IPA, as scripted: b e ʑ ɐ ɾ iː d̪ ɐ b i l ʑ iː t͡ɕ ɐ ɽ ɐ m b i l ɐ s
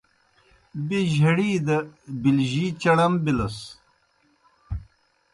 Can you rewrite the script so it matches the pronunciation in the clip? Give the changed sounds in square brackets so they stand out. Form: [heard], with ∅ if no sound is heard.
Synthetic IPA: b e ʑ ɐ [ɽ] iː d̪ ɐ b i l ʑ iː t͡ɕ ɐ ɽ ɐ m b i l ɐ s

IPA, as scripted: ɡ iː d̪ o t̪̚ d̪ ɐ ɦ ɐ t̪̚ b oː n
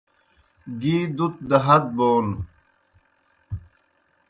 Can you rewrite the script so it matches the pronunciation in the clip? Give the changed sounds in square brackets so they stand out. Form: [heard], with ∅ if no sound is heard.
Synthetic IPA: ɡ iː d̪ [u] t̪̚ d̪ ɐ ɦ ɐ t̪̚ b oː n

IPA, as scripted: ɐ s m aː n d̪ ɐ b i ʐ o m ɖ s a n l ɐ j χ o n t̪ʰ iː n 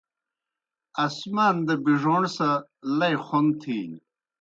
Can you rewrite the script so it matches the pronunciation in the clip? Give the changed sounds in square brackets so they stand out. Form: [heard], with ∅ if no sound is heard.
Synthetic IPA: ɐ s m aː n d̪ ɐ b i ʐ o [ɳ] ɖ s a [∅] l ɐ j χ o n t̪ʰ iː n

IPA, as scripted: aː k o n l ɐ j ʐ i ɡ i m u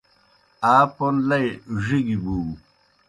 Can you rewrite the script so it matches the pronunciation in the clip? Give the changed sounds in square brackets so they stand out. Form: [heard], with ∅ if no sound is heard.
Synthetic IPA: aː [p] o n l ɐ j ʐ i ɡ i [b] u

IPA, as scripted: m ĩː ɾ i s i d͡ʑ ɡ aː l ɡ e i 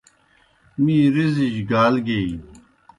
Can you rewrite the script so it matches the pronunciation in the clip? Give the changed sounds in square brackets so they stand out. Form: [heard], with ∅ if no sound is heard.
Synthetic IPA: m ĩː ɾ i [z] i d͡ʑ ɡ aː l ɡ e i

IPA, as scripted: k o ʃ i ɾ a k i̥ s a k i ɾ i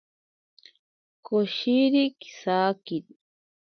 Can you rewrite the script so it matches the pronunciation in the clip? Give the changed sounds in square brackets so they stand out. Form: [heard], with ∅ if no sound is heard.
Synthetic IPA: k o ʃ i ɾ [i] k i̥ s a k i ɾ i

